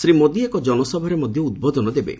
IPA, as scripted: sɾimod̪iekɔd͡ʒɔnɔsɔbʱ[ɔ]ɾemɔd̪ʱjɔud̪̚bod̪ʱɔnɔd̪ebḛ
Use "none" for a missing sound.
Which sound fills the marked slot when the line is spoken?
ɔ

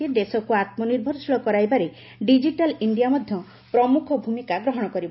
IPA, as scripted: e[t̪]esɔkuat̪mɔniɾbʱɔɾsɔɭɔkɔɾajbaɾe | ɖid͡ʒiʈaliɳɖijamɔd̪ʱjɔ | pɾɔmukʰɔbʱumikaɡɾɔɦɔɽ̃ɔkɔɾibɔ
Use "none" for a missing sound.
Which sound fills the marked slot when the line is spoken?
d̪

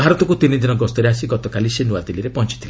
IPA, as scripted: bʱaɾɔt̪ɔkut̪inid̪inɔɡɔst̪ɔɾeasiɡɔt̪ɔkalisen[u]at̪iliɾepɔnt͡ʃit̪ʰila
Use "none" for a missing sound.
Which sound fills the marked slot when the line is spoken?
u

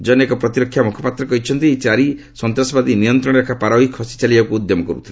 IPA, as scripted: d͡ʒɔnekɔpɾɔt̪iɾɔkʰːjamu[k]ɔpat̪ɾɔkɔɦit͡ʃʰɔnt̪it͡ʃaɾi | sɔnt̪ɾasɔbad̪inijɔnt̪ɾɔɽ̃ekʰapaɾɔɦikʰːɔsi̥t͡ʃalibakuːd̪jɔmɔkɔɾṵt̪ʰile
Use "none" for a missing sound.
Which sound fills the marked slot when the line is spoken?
kʰ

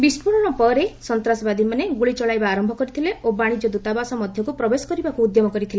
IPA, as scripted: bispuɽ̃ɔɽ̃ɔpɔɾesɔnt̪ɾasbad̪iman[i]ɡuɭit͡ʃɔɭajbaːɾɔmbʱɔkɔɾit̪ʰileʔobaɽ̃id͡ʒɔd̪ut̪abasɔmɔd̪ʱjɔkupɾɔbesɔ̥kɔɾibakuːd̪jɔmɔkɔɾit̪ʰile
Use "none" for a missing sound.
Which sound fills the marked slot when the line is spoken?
e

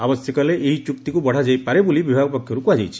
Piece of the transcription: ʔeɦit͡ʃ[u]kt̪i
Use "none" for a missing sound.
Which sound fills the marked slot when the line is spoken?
u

